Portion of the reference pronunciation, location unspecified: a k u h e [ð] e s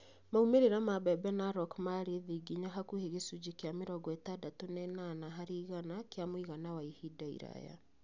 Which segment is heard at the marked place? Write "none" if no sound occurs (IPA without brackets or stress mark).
ɣ